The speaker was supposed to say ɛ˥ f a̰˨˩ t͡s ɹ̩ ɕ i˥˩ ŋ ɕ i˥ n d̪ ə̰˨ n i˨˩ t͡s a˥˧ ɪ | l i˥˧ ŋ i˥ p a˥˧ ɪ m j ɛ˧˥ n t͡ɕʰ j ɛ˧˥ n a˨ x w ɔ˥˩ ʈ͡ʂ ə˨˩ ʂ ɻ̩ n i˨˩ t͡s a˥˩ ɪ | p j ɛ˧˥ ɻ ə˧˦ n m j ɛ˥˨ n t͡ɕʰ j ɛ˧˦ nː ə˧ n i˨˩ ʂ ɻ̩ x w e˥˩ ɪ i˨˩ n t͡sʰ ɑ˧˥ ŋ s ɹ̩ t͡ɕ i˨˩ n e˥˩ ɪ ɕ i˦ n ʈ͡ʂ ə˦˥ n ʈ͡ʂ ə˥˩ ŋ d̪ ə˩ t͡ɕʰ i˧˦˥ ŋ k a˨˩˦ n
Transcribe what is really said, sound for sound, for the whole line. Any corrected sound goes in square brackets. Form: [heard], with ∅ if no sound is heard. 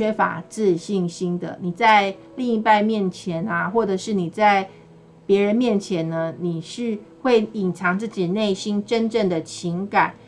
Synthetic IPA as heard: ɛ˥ f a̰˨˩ t͡s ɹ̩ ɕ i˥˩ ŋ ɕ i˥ n d̪ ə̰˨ n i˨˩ t͡s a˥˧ ɪ | l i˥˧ ŋ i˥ p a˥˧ ɪ m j [ɛ˥˨˩] n t͡ɕʰ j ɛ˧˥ n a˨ x w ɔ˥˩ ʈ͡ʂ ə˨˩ ʂ ɻ̩ n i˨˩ t͡s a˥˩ ɪ | p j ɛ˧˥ ɻ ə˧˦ n m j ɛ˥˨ n t͡ɕʰ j ɛ˧˦ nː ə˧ n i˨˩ ʂ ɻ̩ x w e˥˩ ɪ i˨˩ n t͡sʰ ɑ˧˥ ŋ [t͡s] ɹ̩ t͡ɕ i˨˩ n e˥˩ ɪ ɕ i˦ n ʈ͡ʂ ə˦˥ n ʈ͡ʂ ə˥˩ ŋ d̪ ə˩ t͡ɕʰ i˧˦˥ ŋ k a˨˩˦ n